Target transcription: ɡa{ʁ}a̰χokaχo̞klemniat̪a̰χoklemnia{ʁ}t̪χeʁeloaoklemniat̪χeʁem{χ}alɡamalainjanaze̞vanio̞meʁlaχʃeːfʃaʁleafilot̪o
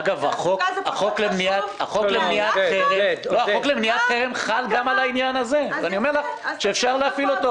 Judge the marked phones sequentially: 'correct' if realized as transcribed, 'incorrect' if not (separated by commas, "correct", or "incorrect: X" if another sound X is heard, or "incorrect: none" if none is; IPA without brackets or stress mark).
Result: incorrect: v, incorrect: none, correct